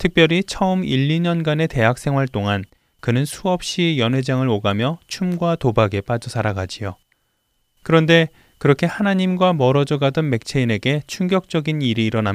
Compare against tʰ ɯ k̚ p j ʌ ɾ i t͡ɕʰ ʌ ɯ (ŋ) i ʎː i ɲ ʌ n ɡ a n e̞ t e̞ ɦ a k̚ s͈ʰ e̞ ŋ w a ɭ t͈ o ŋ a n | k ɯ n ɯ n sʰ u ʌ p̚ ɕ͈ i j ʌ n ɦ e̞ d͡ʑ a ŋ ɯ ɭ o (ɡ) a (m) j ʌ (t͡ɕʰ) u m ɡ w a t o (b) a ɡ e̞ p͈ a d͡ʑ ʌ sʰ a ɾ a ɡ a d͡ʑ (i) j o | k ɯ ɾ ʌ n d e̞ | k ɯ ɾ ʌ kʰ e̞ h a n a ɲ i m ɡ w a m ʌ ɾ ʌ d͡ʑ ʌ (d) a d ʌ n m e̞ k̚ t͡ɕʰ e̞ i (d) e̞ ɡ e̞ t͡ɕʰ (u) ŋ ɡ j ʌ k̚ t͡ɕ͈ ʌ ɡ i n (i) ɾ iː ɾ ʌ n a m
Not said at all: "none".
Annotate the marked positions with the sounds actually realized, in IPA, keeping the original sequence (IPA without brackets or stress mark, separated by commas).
m, ɡ, m, t͡ɕʰ, b, i, ɡ, n, u, i